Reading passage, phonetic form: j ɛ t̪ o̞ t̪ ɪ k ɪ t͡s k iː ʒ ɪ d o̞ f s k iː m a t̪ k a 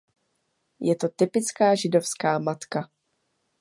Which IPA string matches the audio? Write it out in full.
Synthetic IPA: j ɛ t̪ o̞ t̪ ɪ p ɪ t͡s k aː ʒ ɪ d o̞ f s k aː m a t̪ k a

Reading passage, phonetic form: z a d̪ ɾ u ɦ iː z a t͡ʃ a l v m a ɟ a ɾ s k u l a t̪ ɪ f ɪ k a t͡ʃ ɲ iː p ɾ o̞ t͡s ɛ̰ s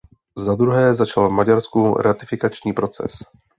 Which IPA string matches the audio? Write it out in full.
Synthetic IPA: z a d̪ ɾ u ɦ ɛː z a t͡ʃ a l v m a ɟ a ɾ s k u ɾ a t̪ ɪ f ɪ k a t͡ʃ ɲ iː p ɾ o̞ t͡s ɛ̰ s

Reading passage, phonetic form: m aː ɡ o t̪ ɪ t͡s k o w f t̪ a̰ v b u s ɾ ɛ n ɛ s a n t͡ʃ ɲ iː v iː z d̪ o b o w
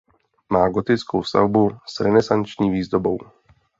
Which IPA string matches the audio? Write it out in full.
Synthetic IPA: m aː ɡ o t̪ ɪ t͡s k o w s t̪ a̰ v b u s ɾ ɛ n ɛ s a n t͡ʃ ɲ iː v iː z d̪ o b o w

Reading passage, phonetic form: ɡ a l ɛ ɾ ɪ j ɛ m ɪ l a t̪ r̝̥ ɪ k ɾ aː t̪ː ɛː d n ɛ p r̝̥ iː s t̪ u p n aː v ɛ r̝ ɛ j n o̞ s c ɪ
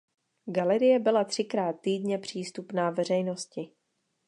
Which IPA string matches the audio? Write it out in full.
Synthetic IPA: ɡ a l ɛ ɾ ɪ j ɛ b ɪ l a t̪ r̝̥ ɪ k ɾ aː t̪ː iː d ɲ ɛ p r̝̥ iː s t̪ u p n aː v ɛ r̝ ɛ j n o̞ s c ɪ

